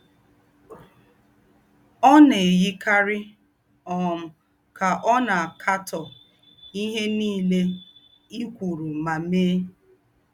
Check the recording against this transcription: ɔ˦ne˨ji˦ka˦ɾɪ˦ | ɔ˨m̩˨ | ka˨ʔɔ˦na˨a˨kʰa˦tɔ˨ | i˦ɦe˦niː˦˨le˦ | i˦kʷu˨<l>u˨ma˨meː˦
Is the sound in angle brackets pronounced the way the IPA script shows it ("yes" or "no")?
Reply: no